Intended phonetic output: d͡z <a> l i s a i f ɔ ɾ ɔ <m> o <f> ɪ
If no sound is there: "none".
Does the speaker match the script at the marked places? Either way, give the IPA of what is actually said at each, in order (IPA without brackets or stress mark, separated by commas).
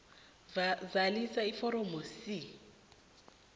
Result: a, m, s